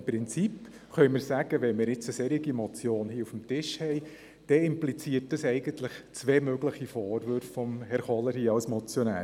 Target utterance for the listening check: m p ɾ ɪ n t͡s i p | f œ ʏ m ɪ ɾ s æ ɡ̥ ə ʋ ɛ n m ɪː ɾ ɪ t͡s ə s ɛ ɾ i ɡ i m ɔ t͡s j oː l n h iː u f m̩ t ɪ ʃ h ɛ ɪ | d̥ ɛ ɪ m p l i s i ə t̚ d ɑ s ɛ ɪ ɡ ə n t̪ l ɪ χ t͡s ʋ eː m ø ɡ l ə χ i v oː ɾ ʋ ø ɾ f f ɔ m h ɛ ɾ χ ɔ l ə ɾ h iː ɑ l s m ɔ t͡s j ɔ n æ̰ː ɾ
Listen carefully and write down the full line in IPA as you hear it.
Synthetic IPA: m p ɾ ɪ n t͡s i p | χ œ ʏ m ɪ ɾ s æ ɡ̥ ə ʋ ɛ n m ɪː ɾ ɪ t͡s ə s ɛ ɾ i ɡ i m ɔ t͡s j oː n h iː u f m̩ t ɪ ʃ h ɛ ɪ | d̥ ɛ ɪ m p l i t͡s i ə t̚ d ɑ s ɛ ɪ ɡ ə n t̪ l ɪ χ t͡s ʋ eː m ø ɡ l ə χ i f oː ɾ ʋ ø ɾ f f ɔ m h ɛ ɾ χ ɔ l ə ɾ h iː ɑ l s m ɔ t͡s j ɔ n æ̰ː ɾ